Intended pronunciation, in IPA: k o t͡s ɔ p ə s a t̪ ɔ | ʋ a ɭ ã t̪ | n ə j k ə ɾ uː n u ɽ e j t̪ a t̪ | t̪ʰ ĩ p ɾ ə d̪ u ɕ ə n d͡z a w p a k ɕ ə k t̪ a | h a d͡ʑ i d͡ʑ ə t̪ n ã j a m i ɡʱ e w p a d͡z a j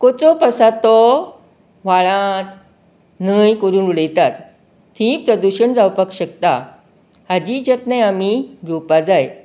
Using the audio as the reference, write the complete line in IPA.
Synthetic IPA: k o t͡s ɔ p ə s a t̪ ɔ | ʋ a ɭ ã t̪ | n ə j k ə ɾ uː n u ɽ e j t̪ a t̪ | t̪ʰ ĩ p ɾ ə d̪ u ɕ ə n d͡z a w p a k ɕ ə k t̪ a | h a d͡ʑ i d͡ʑ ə t̪ n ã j a m i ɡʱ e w p a d͡z a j

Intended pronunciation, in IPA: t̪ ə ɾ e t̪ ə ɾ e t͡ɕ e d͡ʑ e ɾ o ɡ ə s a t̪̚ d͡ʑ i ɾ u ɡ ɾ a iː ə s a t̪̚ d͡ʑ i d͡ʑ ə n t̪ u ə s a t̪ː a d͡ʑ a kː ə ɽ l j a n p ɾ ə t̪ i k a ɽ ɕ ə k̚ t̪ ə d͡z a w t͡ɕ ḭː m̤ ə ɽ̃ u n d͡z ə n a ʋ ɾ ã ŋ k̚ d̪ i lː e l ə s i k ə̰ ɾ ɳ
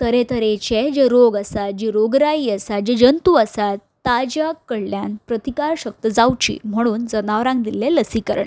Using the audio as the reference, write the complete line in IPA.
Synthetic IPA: t̪ ə ɾ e t̪ ə ɾ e t͡ɕ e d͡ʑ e ɾ o ɡ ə s a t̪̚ d͡ʑ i ɾ o ɡ ɾ a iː ə s a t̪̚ d͡ʑ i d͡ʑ ə n t̪ u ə s a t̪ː a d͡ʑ a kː ə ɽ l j a n p ɾ ə t̪ i k a ɾ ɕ ə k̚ t̪ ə d͡z a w t͡ɕ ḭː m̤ ə ɽ̃ uː n d͡z ə n a ʋ ɾ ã ŋ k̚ d̪ i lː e l ə s i k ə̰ ɾ ɳ

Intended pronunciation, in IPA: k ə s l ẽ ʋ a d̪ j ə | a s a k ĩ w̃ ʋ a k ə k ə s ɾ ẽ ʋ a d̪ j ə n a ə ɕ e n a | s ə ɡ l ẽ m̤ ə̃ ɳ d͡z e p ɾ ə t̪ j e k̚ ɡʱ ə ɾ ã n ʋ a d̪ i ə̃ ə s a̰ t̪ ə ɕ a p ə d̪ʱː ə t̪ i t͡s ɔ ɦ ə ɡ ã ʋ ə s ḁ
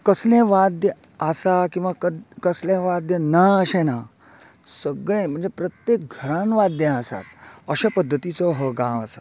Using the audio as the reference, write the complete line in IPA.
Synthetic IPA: k ə s l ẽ ʋ a d̪ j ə | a s a k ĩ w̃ ʋ a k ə k ə s l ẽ ʋ a d̪ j ə n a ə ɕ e n a | s ə ɡ ɭ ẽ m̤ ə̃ ɳ d͡z e p ɾ ə t̪ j e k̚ ɡʱ ə ɾ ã n ʋ a d̪ j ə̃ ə s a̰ t̪ ə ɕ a p ə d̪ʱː ə t̪ i t͡s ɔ ɦ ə ɡ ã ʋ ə s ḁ

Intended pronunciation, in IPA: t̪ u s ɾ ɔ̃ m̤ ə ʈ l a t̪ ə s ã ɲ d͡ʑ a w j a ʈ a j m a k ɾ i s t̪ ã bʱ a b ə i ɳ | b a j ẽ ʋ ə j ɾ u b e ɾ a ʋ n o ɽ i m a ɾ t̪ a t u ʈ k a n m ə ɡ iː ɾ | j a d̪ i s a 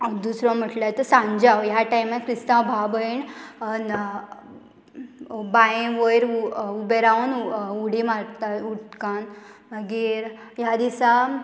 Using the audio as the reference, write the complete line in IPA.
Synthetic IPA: d̪ u s ɾ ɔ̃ m̤ ə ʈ l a t̪ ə s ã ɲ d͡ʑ a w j a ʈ a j m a k ɾ i s t̪ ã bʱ a b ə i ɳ | b a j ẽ ʋ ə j ɾ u b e ɾ a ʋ n u ɽ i m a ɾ t̪ a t u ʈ k a n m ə ɡ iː ɾ | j a d̪ i s a

